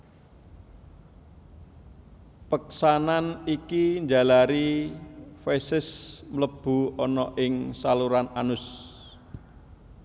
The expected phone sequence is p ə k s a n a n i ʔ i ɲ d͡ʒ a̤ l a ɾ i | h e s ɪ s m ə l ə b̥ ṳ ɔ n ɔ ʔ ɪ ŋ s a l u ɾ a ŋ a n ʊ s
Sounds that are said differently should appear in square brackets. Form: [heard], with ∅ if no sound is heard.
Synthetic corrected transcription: p ə k s a n a n i [k] i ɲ d͡ʒ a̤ l a ɾ i | [f] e s ɪ s m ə l ə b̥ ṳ ɔ n ɔ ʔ ɪ ŋ s a l u ɾ a [n] a n ʊ s

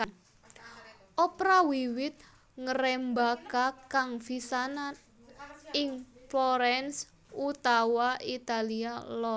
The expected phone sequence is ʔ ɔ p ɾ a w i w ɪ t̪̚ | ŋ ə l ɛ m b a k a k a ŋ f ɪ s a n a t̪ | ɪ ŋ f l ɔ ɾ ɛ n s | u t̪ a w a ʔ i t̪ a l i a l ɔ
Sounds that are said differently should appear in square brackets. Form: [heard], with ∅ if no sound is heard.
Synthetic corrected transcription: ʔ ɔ p ɾ a w i w ɪ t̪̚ | ŋ ə [ɾ] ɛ m b a k a k a ŋ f [i] s a n a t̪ | ɪ ŋ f l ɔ ɾ ɛ n s | u t̪ a w a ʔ i t̪ a l i a l ɔ

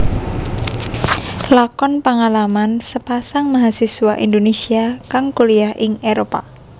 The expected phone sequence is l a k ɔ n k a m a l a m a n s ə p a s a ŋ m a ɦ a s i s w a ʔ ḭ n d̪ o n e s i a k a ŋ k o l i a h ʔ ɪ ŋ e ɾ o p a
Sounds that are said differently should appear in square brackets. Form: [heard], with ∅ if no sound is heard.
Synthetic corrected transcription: l a k ɔ n [p] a [ŋ] a l a m a n s ə p a s a ŋ m a ɦ a s i s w a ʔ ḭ n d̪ o n e s i a k a ŋ k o l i a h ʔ ɪ ŋ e ɾ o p a

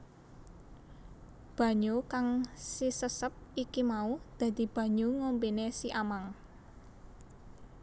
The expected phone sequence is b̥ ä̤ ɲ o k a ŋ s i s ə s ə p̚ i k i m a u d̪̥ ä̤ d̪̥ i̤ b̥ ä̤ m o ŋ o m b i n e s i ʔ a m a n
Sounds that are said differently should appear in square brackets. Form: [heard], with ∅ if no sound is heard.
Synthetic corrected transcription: b̥ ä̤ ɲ o k a ŋ s i s ə s ə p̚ i k i m a u d̪̥ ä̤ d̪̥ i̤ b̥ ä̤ [ɲ] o ŋ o m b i n e s i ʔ a m a [ŋ]

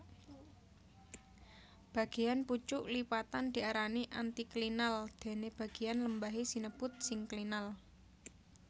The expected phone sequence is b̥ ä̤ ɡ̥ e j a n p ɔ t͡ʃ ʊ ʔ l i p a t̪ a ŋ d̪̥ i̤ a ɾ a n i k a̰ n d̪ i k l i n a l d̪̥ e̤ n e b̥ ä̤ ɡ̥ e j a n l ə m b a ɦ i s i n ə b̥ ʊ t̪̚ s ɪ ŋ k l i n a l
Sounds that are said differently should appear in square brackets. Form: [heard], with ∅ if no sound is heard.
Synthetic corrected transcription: b̥ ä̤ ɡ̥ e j a n p [u] t͡ʃ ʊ ʔ l i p a t̪ a [n] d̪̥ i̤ a ɾ a n i [ʔ] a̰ n [t̪] i k l i n a l d̪̥ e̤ n e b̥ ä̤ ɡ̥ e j a n l ə m b a ɦ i s i n ə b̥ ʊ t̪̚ s ɪ ŋ k l i n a l

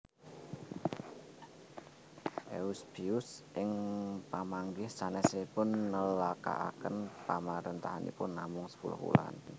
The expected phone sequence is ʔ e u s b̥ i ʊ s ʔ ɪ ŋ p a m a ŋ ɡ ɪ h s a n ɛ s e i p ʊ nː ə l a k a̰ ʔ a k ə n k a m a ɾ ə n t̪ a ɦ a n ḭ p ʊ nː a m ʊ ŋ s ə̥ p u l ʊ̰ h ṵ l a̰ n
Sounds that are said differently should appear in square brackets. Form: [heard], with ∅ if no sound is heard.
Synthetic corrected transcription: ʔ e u s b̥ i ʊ s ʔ ɪ ŋ p a m a ŋ ɡ ɪ h s a n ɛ s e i p ʊ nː ə l a k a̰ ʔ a k ə n [p] a m a ɾ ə n t̪ a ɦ a n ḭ p ʊ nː a m ʊ ŋ s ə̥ p u l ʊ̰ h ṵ l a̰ n

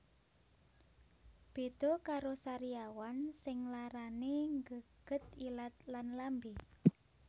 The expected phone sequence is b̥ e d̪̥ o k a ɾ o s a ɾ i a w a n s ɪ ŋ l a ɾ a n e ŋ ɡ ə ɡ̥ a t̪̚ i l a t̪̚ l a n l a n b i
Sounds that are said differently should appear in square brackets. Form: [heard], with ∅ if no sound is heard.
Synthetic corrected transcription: b̥ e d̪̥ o k a ɾ o s a ɾ i a w a n s ɪ ŋ l a ɾ a n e ŋ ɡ ə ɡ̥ [ə] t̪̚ i l a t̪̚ l a n l a [m] b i

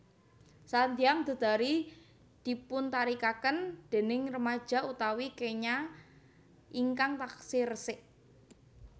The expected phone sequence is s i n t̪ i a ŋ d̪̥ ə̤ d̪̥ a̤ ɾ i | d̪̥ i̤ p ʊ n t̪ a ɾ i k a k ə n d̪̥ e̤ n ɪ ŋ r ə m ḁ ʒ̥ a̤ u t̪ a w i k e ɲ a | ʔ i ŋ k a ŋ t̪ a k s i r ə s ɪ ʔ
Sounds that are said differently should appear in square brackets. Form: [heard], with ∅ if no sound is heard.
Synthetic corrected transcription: s [a] n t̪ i a ŋ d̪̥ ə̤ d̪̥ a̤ ɾ i | d̪̥ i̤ p ʊ n t̪ a ɾ i k a k ə n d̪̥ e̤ n ɪ ŋ r ə m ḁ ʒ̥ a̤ u t̪ a w i k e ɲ a | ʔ i ŋ k a ŋ t̪ a k s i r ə s ɪ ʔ

